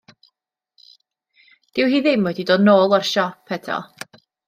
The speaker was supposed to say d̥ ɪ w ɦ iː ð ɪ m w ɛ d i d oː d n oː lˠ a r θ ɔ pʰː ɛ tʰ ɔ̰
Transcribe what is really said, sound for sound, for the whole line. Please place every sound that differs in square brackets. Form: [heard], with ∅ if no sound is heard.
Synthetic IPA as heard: d̥ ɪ w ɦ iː ð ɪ m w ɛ d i d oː d n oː lˠ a r [ʃ] ɔ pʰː ɛ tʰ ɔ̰